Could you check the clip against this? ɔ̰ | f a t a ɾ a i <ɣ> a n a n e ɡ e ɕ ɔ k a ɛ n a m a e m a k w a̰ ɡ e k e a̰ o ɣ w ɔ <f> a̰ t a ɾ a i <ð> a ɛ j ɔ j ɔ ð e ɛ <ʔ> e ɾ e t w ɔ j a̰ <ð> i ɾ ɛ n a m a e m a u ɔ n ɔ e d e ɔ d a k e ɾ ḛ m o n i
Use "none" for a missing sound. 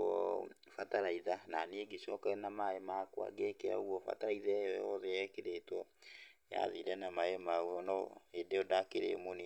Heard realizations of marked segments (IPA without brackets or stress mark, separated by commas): ð, f, ð, k, ð